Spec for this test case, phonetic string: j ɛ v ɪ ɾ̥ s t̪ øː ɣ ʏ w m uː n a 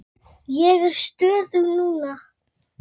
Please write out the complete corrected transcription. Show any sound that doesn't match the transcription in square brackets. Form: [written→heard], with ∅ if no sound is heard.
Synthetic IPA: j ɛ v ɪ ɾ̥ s t̪ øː [ɣ→ð] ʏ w [m→n] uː n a